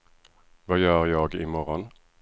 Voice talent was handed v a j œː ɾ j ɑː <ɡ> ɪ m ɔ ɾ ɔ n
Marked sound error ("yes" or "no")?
no